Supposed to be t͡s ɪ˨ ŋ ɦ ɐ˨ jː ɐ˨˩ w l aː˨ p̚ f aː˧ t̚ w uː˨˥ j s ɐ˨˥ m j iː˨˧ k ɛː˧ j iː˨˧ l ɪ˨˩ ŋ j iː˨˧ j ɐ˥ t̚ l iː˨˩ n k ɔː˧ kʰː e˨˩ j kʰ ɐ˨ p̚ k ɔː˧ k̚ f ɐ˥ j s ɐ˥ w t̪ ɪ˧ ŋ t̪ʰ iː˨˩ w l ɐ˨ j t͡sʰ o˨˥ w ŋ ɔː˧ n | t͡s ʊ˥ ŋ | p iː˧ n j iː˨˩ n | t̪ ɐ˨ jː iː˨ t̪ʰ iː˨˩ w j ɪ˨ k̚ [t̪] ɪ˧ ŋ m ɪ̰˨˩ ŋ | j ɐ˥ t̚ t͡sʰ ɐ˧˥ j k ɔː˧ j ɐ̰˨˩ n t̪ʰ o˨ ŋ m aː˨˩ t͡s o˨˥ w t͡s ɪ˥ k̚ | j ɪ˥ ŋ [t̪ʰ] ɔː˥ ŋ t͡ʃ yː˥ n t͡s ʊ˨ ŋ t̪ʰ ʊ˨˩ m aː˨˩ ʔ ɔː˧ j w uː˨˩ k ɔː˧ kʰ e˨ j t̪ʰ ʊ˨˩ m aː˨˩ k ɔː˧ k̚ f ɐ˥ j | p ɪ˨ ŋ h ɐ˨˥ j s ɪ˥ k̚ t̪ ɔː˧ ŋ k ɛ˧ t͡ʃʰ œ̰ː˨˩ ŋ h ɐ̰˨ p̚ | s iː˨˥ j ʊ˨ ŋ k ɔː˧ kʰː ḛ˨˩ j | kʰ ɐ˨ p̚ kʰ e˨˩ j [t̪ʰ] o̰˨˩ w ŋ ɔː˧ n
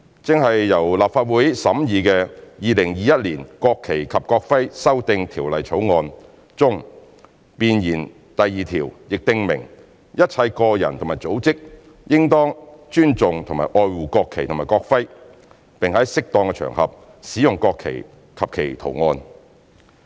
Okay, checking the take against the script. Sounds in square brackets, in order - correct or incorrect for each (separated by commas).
correct, incorrect, correct